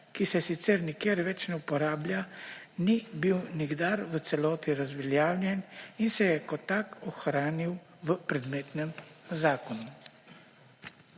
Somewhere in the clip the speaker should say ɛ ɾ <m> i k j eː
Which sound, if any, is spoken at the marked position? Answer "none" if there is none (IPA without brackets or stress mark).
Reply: n